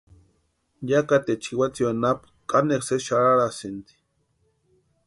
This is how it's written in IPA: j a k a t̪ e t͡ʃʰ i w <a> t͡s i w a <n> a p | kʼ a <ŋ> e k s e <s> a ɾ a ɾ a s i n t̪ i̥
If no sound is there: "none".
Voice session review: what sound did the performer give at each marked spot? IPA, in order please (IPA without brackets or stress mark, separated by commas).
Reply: a, n, n, ʃ